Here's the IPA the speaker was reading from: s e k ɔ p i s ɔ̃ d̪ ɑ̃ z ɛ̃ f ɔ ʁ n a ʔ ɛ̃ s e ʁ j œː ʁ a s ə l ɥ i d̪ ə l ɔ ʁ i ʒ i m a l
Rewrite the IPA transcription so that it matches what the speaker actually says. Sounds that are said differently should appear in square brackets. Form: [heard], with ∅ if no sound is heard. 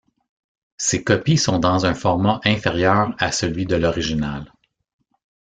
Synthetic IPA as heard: s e k ɔ p i s ɔ̃ d̪ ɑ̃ z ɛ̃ f ɔ ʁ [m] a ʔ ɛ̃ [f] e ʁ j œː ʁ a s ə l ɥ i d̪ ə l ɔ ʁ i ʒ i [n] a l

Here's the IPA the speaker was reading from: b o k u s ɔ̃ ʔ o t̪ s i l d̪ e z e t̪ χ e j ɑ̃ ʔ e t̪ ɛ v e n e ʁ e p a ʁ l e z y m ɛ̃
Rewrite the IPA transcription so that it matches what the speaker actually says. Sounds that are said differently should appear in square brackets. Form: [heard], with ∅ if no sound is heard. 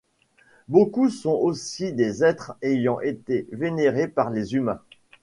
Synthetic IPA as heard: b o k u s ɔ̃ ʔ o [∅] s i [∅] d̪ e z [ɛ] t̪ χ e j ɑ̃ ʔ e t̪ [e] v e n e ʁ e p a ʁ l e z y m ɛ̃

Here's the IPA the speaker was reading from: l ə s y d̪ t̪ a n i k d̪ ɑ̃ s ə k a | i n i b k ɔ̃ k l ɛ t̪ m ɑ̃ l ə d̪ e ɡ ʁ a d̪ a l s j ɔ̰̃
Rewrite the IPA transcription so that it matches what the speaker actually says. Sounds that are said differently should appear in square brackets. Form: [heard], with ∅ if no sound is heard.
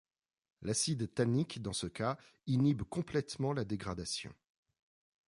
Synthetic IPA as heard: l [a] s [i] d̪ t̪ a n i k d̪ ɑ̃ s ə k a | i n i b k ɔ̃ [p] l ɛ t̪ m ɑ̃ l [a] d̪ e ɡ ʁ a d̪ a [∅] s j ɔ̰̃

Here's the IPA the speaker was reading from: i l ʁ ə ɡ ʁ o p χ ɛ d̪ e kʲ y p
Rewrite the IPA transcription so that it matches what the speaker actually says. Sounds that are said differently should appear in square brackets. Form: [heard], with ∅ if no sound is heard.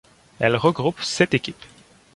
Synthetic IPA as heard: [ɛ] l ʁ ə ɡ ʁ [u] p [s] ɛ [t̪] e kʲ [i] p

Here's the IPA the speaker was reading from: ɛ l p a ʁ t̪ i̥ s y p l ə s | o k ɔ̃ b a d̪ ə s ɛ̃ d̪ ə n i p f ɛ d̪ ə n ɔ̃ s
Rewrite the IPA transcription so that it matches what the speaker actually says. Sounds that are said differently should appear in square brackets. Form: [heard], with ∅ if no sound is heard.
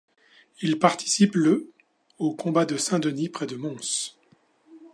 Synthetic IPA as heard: [i] l p a ʁ t̪ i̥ s [i] p l ə [∅] | o k ɔ̃ b a d̪ ə s ɛ̃ d̪ ə n i p [χ] ɛ d̪ ə [m] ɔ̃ s

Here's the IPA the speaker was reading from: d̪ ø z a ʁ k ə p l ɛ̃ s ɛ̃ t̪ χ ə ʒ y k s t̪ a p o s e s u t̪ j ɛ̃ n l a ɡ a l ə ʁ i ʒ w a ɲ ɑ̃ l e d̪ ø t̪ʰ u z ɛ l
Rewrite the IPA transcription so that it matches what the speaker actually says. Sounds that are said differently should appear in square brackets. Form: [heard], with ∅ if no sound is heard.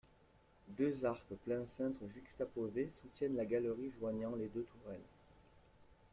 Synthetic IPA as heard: d̪ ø z a ʁ k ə p l ɛ̃ s ɛ̃ t̪ χ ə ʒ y k s t̪ a p o [z] e s u t̪ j [ɛ] n l a ɡ a l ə ʁ i ʒ w a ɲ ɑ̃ l e d̪ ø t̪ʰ u [ʁ] ɛ l

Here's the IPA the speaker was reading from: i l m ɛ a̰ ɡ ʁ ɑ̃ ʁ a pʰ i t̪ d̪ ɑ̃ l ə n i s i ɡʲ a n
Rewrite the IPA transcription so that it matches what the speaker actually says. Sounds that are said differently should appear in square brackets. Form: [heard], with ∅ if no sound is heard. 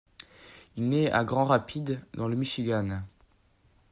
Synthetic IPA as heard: i l [n] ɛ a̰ ɡ ʁ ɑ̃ ʁ a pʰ i [d̪] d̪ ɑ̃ l ə [m] i [ʃ] i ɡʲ a n

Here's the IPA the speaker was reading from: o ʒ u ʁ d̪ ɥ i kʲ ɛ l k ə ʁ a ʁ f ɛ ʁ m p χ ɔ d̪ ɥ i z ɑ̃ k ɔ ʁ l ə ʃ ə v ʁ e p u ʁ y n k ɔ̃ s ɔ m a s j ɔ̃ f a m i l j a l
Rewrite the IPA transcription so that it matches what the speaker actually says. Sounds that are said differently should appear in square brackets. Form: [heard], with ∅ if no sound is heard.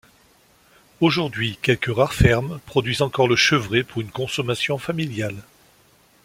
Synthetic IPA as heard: o ʒ u ʁ d̪ ɥ i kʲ ɛ l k ə ʁ a ʁ f ɛ ʁ m p χ ɔ d̪ ɥ i z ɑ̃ k ɔ ʁ l ə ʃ ə v ʁ e p u ʁ y n k ɔ̃ s ɔ m a s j ɔ̃ f a m i l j a l

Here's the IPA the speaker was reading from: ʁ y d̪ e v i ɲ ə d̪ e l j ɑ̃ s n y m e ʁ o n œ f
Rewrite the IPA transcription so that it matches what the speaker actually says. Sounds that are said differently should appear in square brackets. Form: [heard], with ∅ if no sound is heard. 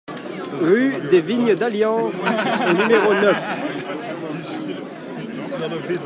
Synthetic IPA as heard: ʁ y d̪ e v i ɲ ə d̪ [a] l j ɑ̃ s n y m e ʁ o n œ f

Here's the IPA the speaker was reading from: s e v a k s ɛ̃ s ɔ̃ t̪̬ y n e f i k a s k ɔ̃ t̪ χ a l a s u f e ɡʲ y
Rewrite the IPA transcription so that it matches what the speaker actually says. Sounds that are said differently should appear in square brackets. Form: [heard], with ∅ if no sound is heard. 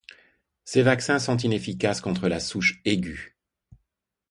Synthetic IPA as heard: s e v a k s ɛ̃ s ɔ̃ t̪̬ [i] n e f i k a s k ɔ̃ t̪ χ [ə] l a s u [ʃ] e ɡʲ y

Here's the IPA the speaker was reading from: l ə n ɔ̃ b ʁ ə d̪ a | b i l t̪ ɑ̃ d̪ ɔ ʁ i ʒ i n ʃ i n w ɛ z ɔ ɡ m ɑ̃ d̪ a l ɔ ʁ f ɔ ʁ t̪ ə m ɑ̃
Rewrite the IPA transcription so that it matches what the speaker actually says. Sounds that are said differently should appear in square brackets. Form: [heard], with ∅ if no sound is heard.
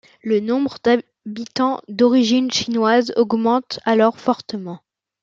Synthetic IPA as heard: l ə n ɔ̃ b ʁ ə d̪ a | b i [∅] t̪ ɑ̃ d̪ ɔ ʁ i ʒ i n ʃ i n w [a] z ɔ ɡ m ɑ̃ [t̪] a l ɔ ʁ f ɔ ʁ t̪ ə m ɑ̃

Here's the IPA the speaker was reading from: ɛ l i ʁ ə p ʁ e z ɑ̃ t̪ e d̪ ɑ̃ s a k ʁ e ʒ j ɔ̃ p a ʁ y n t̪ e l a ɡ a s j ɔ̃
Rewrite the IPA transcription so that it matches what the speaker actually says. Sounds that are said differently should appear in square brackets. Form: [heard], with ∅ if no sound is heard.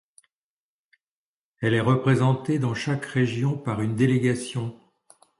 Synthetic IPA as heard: ɛ l [ɛ] ʁ ə p [χ] e z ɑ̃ t̪ e d̪ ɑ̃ [ʃ] a k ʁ e ʒ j ɔ̃ p a ʁ y n [d̪] e l [e] ɡ a s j ɔ̃

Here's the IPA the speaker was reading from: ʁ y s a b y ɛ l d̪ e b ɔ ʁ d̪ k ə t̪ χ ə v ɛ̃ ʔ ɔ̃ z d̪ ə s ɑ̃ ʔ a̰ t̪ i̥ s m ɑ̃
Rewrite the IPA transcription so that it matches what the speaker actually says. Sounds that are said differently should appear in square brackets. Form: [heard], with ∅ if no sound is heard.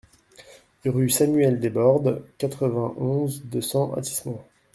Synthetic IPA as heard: ʁ y s a [m] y ɛ l d̪ e b ɔ ʁ d̪ k [a] t̪ χ ə v ɛ̃ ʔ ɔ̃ z d̪ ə s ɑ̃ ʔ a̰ t̪ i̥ s m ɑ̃

